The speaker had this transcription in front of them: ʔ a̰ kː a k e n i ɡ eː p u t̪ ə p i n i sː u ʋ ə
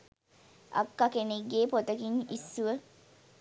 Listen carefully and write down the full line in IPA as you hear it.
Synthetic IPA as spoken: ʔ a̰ kː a k e n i ɡ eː p o t̪ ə k i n i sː u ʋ ə